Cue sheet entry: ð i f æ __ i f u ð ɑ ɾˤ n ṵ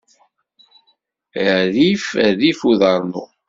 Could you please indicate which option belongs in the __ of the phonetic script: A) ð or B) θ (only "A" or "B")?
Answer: A